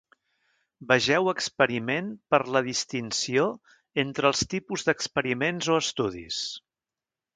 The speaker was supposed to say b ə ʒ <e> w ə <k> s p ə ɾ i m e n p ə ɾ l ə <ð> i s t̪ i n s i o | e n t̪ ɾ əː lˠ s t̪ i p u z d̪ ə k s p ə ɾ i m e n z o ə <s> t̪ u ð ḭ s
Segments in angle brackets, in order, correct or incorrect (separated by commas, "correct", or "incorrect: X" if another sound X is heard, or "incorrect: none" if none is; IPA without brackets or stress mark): incorrect: ɛ, correct, correct, correct